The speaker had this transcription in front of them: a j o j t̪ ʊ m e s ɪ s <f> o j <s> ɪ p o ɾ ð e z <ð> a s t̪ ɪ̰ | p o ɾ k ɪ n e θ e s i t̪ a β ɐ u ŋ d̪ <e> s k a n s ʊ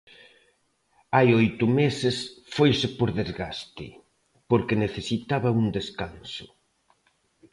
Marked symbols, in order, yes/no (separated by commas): yes, yes, no, yes